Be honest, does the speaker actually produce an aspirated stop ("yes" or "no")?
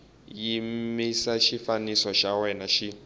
no